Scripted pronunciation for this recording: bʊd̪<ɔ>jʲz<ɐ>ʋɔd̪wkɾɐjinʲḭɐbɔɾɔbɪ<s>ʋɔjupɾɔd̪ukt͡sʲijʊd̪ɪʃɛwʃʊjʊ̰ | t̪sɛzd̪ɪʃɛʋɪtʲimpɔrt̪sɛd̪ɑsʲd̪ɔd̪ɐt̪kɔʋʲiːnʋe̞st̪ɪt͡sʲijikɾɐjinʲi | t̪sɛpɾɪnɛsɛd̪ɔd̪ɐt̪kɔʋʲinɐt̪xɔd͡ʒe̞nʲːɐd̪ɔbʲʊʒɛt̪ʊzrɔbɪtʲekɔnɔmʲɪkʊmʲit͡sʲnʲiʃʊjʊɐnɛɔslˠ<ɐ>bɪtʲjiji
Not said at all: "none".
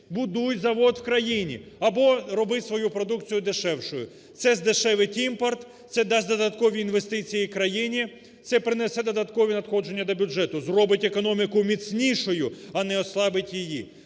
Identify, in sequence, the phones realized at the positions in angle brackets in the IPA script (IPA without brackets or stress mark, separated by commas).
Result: u, ɐ, s, ɑ